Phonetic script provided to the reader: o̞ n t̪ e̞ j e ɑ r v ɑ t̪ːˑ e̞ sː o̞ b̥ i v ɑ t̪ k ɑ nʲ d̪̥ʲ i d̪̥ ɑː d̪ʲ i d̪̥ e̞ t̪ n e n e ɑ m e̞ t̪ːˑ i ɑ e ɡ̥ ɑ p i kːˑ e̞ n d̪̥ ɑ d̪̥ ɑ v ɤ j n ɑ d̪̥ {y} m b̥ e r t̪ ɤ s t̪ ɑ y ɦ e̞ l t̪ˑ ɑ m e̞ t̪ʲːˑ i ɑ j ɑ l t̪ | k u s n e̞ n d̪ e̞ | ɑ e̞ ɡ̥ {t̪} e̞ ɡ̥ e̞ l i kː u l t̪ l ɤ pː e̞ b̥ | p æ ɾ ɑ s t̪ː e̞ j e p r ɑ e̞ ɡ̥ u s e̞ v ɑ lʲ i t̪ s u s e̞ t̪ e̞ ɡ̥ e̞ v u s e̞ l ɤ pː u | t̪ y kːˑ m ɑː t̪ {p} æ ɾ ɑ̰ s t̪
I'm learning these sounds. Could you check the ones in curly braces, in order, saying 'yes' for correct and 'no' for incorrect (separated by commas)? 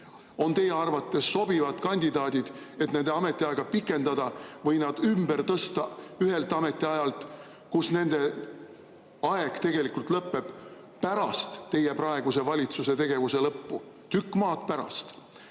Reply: yes, yes, yes